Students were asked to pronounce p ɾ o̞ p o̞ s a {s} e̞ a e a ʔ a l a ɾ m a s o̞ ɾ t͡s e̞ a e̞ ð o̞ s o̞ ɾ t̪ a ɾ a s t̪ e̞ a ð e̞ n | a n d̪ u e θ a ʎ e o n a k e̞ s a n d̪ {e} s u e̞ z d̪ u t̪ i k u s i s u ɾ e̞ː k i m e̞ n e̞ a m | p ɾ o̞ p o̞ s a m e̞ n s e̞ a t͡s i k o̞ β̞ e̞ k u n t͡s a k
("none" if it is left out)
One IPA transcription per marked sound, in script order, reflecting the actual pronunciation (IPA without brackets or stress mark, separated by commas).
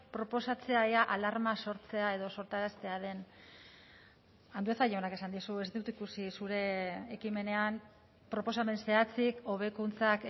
t͡s, i